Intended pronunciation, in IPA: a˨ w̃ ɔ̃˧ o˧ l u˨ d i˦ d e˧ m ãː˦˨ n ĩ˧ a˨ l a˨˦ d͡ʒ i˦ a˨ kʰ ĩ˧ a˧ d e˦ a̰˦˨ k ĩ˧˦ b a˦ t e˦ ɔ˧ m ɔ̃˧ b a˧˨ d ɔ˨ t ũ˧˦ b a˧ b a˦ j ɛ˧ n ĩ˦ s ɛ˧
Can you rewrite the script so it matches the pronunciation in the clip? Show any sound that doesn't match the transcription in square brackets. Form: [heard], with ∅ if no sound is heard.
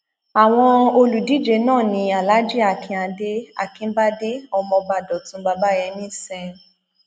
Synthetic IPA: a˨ w̃ ɔ̃˧ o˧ l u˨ d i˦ [d͡ʒ] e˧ [n] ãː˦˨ n ĩ˧ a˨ l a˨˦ d͡ʒ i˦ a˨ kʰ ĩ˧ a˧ d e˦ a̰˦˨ k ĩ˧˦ b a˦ [d] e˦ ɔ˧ m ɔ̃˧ b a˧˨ d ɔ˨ t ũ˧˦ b a˧ b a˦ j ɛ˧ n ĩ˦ s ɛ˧